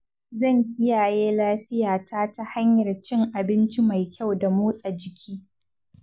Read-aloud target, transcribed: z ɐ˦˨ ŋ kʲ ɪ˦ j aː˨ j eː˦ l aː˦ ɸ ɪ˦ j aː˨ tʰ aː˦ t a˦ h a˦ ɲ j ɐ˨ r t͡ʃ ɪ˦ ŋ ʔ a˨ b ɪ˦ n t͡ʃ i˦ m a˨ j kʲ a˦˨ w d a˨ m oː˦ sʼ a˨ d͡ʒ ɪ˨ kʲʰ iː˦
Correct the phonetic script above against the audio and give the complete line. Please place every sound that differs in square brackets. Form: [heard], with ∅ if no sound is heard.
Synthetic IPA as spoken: z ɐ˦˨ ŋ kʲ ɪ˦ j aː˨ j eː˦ l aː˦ ɸ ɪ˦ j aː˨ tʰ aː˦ t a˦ h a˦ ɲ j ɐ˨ r t͡ʃ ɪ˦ ŋ ʔ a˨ b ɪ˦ n t͡ʃ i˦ m a˨ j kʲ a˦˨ w d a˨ m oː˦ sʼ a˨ d͡ʒ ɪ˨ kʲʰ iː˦